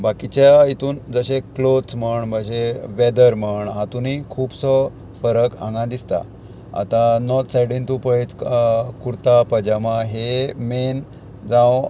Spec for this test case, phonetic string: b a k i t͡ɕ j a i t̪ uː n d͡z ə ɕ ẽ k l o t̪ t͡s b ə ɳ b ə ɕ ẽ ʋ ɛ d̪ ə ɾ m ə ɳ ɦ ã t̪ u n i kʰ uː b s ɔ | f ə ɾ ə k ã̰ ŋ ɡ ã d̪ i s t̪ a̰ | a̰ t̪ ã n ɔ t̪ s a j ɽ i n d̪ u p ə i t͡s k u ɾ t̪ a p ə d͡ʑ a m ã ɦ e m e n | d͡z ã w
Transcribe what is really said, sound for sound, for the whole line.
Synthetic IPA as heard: b a k i t͡ɕ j a i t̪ uː n d͡z ə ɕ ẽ k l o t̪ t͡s m ə ɳ b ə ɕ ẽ ʋ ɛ d̪ ə ɾ m ə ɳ ɦ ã t̪ u n i kʰ uː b s ɔ | f ə ɾ ə k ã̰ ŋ ɡ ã d̪ i s t̪ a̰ | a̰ t̪ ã n ɔ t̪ s a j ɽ i n t̪ u p ə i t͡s k u ɾ t̪ a p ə d͡ʑ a m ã ɦ e m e n | d͡z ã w

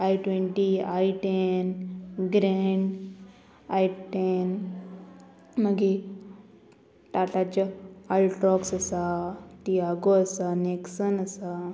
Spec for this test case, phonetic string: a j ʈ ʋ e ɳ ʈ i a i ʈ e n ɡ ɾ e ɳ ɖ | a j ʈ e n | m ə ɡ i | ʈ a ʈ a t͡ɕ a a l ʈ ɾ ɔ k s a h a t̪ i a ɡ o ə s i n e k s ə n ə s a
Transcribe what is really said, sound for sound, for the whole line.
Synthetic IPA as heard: a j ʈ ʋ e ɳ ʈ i a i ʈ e n ɡ ɾ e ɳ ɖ | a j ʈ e n | m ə ɡ i | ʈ a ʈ a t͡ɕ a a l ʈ ɾ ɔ k s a s a t̪ i a ɡ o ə s a n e k s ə n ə s a

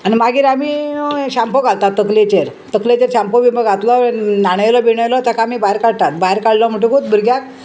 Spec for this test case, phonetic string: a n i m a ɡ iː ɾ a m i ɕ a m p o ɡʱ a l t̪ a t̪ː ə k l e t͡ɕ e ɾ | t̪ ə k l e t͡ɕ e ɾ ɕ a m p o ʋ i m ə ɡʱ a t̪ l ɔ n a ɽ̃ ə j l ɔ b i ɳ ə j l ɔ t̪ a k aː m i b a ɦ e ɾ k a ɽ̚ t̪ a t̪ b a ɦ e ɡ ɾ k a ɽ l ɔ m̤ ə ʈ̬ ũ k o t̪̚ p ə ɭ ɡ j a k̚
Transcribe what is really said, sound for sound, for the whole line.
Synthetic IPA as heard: a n i m a ɡ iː ɾ a m i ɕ a m p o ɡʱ a l t̪ a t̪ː ə k l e t͡ɕ e ɾ | t̪ ə k l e t͡ɕ e ɾ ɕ a m p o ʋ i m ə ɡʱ a t̪ l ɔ n a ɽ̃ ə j l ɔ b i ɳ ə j l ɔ t̪ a k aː m i b a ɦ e ɾ k a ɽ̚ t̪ a t̪ b a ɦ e ɾ k a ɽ l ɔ m̤ ə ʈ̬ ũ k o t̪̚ b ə ɾ ɡ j a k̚

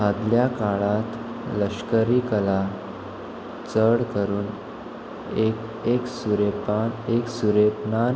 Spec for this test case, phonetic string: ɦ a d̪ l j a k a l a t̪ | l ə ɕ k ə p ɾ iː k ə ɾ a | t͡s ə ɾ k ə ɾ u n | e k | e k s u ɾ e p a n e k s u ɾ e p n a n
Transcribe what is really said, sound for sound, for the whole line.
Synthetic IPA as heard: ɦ a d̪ l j a k a ɭ a t̪ | l ə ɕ k ə ɾ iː k ə l a | t͡s ə ɽ k ə ɾ uː n | e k | e k s u ɾ e p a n e k s u ɾ e p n a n

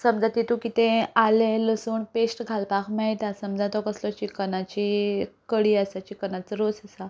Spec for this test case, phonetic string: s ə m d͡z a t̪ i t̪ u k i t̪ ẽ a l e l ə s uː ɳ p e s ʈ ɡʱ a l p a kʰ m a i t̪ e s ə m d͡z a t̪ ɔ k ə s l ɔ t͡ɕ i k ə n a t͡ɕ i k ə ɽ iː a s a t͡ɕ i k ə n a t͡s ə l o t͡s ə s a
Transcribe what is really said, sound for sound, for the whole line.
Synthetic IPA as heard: s ə m d͡z a t̪ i t̪ u k i t̪ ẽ a l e l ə s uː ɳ p e s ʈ ɡʱ a l p a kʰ m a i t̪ a s ə m d͡z a t̪ ɔ k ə s l ɔ t͡ɕ i k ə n a t͡ɕ i k ə ɽ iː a s a t͡ɕ i k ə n a t͡s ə ɾ o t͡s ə s a

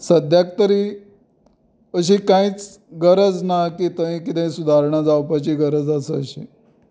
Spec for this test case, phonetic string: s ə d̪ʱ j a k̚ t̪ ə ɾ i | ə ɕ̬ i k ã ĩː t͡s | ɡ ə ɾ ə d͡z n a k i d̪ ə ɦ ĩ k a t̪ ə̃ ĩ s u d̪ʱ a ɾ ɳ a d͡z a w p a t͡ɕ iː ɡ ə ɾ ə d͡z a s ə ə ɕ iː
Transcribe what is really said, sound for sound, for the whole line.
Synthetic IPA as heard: s ə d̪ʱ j a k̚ t̪ ə ɾ i | ə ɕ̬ i k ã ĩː t͡s | ɡ ə ɾ ə d͡z n a k i t̪ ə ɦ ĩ k i t̪ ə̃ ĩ s u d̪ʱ a ɾ ɳ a d͡z a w p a t͡ɕ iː ɡ ə ɾ ə d͡z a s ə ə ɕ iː

